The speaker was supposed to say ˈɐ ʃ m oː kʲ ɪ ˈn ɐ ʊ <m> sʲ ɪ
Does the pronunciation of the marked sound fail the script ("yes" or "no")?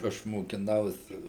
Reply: yes